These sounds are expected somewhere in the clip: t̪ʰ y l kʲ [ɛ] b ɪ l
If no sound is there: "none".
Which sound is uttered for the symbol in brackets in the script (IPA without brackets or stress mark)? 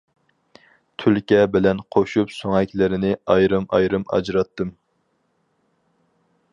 ɛ